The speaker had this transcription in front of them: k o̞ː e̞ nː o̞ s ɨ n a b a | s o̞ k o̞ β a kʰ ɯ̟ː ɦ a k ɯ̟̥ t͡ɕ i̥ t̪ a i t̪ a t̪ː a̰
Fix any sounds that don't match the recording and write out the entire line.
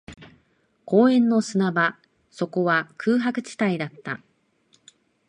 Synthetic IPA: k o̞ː ẽ̞ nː o̞ s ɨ n a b a | s o̞ k o̞ β a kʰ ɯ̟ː ɦ a k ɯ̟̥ t͡ɕ i̥ t̪ a i d̪ a t̪ː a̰